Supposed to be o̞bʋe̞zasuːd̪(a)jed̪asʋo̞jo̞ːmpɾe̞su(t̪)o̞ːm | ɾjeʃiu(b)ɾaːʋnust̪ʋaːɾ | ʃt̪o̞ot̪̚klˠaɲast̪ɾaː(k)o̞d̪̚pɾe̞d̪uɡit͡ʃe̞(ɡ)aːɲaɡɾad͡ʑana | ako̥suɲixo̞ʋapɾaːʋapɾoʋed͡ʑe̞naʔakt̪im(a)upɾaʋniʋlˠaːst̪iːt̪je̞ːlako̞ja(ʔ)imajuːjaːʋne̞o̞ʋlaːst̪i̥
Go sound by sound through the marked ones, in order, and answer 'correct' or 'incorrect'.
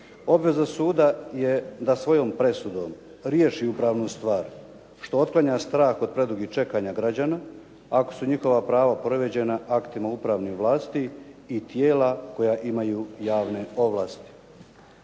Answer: correct, incorrect: d̪, incorrect: p, incorrect: x, incorrect: k, correct, correct

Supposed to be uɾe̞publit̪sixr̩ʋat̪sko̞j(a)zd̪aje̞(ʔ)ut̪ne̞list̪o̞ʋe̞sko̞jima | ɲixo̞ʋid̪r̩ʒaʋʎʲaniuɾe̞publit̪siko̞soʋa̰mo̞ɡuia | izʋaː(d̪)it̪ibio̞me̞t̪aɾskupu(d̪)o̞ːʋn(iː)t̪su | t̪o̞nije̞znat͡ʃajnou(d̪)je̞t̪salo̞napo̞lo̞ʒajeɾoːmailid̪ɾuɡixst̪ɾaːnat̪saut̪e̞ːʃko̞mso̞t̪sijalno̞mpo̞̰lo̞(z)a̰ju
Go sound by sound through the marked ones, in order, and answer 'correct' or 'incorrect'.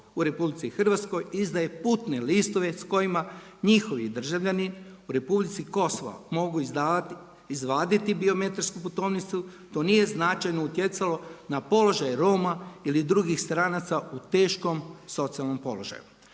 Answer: incorrect: i, incorrect: p, correct, incorrect: t̪, incorrect: i, incorrect: t̪, incorrect: ʒ

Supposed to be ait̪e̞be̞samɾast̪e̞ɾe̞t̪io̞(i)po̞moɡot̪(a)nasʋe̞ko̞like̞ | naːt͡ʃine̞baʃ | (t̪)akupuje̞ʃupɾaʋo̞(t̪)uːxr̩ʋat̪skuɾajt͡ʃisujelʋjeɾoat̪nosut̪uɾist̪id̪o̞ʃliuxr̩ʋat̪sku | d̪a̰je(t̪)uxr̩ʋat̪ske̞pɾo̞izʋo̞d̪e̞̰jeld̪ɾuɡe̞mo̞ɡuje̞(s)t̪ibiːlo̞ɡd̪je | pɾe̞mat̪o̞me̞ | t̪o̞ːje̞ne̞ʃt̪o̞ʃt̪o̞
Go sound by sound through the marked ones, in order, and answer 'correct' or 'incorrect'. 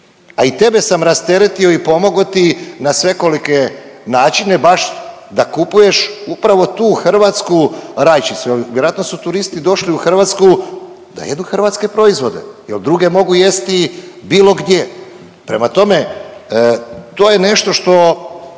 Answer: correct, incorrect: i, incorrect: d̪, correct, incorrect: d̪, correct

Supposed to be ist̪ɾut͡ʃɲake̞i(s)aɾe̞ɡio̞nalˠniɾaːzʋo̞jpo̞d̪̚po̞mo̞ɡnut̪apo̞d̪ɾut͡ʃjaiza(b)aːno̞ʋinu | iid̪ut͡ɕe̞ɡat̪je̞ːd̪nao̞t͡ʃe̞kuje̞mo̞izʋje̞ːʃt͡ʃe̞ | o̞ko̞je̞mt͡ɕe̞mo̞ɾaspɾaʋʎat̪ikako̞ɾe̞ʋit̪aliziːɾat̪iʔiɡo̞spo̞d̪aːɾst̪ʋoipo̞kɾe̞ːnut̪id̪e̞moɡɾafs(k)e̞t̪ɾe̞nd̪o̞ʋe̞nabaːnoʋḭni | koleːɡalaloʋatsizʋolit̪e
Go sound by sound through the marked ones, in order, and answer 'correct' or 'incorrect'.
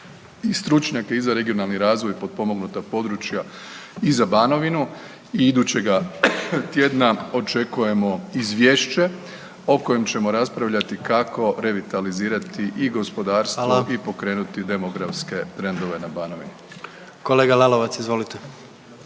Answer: incorrect: z, correct, correct

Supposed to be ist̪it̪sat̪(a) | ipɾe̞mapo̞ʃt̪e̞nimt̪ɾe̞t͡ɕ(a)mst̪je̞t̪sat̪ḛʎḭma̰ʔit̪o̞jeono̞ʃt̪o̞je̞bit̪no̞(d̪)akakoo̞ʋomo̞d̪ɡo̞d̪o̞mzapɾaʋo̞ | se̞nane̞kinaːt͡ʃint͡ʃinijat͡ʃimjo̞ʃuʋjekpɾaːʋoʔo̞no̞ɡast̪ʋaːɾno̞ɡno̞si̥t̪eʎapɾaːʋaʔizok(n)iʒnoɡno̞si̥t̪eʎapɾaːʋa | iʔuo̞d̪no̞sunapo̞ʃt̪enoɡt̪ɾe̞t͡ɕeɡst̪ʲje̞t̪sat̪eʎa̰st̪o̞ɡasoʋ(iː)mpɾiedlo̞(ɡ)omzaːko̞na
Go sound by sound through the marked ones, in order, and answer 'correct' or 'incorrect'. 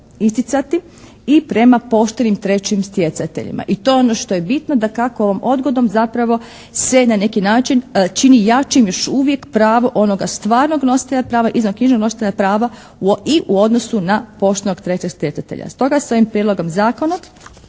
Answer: incorrect: i, incorrect: i, correct, incorrect: ɲ, incorrect: i, correct

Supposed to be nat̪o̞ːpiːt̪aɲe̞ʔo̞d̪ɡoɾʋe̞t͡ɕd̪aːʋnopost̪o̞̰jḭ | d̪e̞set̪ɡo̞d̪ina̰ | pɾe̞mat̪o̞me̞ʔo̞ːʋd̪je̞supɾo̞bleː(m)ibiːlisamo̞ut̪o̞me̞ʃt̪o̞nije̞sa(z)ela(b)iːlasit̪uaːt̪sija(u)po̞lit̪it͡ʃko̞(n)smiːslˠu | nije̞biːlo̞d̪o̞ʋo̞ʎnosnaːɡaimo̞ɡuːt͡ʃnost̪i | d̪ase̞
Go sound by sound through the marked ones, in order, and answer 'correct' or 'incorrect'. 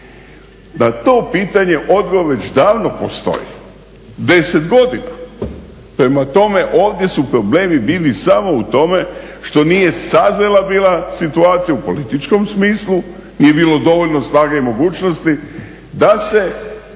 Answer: correct, correct, correct, correct, incorrect: m

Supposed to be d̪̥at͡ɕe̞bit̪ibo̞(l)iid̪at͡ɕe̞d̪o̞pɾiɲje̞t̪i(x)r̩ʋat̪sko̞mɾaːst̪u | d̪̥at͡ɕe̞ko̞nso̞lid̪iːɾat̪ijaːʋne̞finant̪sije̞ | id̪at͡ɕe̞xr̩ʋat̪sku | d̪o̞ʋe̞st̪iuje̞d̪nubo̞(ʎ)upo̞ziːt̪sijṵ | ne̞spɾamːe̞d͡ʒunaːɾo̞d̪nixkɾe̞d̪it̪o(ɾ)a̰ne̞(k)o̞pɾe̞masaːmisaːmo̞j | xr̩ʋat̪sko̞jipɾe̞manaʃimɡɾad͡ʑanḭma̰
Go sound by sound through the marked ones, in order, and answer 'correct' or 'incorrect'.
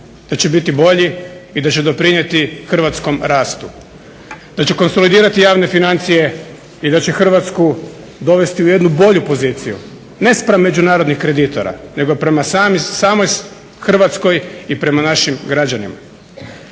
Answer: incorrect: ʎ, correct, correct, correct, incorrect: ɡ

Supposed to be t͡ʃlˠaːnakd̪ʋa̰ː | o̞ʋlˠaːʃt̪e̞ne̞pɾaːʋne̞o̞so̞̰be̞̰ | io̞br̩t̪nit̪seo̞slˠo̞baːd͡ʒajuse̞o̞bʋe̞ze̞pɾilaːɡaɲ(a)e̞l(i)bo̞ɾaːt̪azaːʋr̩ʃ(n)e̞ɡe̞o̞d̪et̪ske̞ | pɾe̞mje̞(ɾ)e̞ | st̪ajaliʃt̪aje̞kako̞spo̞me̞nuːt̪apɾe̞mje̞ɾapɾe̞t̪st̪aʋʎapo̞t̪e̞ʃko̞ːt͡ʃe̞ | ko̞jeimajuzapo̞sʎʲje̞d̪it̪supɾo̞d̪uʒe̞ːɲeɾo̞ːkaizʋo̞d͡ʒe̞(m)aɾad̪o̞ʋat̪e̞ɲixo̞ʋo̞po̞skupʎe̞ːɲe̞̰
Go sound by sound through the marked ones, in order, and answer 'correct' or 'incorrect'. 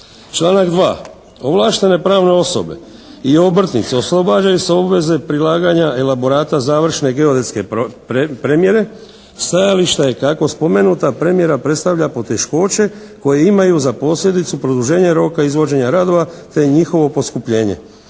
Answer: correct, incorrect: a, correct, correct, incorrect: ɲ

